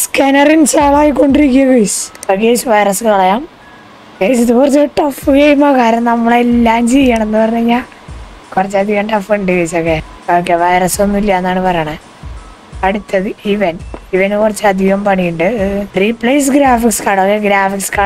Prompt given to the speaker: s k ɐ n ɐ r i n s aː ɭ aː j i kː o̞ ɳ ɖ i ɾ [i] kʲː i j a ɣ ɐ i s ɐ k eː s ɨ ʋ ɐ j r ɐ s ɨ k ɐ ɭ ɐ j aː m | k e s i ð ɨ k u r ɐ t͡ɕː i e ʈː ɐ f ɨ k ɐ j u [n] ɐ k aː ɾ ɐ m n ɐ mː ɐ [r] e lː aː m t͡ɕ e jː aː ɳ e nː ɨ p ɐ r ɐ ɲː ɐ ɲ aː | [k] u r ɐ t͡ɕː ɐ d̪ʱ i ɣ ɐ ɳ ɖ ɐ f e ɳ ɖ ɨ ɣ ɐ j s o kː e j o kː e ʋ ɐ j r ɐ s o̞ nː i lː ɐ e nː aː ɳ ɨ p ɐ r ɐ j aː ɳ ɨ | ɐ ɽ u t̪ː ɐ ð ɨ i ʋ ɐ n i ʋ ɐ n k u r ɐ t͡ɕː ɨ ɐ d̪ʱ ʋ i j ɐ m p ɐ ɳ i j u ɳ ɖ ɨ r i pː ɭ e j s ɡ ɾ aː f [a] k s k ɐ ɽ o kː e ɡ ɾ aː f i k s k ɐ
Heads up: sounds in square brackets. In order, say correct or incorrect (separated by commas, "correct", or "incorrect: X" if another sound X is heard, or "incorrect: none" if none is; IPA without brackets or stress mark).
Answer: correct, incorrect: m, incorrect: ɭ, correct, incorrect: i